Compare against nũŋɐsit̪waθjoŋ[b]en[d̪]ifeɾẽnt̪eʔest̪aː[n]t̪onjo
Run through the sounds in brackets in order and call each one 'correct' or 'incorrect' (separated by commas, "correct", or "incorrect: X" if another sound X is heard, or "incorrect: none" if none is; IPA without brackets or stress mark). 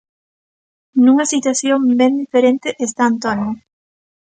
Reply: correct, correct, correct